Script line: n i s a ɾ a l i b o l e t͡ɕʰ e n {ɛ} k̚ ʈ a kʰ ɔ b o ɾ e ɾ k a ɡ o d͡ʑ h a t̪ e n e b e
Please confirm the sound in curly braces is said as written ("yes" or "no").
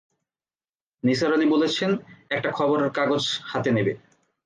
yes